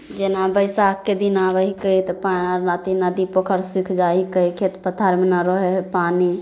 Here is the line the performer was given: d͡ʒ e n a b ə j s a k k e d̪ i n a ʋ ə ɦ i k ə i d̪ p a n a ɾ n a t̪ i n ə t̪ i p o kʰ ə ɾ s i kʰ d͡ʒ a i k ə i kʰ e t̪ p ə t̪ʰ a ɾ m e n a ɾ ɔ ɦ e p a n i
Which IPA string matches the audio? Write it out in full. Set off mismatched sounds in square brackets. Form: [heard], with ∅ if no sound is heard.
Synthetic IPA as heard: d͡ʒ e n a b ə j s a k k e d̪ i n a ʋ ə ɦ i k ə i [t̪] p a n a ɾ n a t̪ i n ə [d̪] i p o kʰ ə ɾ s i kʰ d͡ʒ a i k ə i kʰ e t̪ p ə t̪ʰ a ɾ m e n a ɾ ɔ ɦ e p a n i